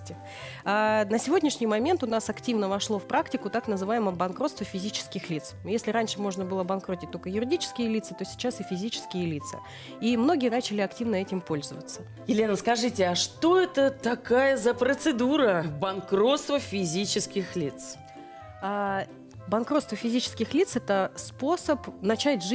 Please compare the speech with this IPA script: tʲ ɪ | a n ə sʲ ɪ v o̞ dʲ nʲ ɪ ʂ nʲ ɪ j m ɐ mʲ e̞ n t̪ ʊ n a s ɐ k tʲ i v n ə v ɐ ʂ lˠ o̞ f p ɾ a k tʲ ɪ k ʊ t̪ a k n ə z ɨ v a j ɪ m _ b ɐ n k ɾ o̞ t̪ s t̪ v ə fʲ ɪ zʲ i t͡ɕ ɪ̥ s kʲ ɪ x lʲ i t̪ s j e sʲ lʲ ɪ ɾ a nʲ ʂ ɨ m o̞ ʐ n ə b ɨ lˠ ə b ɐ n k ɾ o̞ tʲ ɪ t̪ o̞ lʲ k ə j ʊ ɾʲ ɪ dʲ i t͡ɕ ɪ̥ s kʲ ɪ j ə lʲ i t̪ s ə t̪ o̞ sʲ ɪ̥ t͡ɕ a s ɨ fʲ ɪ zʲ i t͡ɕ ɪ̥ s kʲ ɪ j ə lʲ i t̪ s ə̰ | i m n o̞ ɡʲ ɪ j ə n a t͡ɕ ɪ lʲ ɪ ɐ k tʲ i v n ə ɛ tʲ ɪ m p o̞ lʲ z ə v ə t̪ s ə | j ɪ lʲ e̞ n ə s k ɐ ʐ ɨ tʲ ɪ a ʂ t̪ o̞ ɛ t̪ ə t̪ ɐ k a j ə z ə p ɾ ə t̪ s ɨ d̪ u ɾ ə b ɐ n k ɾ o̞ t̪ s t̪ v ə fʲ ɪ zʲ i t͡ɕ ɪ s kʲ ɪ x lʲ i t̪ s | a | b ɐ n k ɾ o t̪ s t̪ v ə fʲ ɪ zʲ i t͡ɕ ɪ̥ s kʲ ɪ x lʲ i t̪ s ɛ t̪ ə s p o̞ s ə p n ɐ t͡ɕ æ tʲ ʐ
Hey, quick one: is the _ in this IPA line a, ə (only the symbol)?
ə